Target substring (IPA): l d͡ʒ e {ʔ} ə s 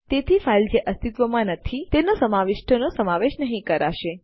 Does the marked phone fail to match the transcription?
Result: no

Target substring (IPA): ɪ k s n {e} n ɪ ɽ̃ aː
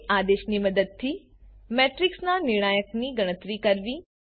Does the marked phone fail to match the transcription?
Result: yes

